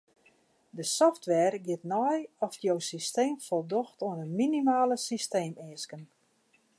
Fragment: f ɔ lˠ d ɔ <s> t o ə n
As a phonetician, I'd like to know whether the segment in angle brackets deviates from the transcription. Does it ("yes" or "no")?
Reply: yes